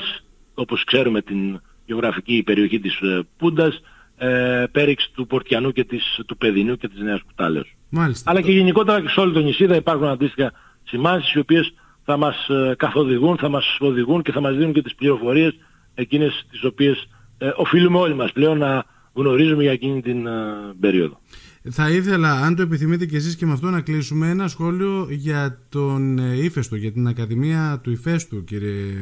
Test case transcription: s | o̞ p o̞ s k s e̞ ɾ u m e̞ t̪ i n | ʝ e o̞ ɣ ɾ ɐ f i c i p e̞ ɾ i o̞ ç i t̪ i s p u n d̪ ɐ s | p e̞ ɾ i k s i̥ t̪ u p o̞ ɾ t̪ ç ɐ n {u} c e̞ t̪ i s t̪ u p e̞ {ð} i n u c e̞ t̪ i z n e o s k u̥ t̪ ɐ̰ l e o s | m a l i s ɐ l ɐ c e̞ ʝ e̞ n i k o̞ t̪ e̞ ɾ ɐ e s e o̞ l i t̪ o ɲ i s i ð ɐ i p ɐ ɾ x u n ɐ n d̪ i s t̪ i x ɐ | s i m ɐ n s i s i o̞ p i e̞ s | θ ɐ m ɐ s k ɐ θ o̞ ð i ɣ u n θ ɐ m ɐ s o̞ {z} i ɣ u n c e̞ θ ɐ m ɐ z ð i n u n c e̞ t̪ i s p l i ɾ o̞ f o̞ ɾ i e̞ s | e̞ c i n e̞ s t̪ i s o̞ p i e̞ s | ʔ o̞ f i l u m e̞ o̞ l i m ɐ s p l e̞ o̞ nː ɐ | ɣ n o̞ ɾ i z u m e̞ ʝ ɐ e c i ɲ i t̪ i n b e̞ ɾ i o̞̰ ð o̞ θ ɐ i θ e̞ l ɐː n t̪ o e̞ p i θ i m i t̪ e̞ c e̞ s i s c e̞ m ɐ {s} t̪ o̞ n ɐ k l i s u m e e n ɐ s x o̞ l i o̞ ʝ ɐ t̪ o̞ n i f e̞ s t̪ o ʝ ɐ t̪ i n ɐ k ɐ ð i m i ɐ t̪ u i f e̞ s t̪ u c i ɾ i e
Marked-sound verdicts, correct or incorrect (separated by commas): correct, correct, incorrect, incorrect